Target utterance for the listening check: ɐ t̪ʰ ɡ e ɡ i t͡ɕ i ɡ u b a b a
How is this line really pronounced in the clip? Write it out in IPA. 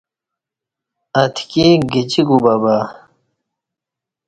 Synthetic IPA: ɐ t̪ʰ k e ɡ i t͡ɕ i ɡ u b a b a